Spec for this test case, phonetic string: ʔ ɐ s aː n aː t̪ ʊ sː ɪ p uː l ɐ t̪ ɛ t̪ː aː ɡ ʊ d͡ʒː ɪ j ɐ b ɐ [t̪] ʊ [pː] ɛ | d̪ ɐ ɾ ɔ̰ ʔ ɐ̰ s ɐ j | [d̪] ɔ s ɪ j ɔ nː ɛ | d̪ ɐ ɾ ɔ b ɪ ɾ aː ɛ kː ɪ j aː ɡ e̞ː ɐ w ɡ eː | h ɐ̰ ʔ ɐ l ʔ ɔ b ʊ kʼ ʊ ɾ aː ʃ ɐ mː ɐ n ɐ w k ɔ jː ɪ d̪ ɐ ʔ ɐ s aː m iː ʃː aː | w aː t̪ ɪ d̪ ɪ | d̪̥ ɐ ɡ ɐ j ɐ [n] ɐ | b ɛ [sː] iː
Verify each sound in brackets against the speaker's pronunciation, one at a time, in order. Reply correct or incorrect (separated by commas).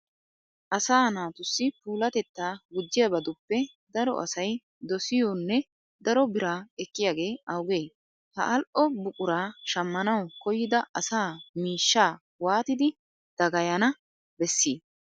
incorrect, correct, correct, correct, correct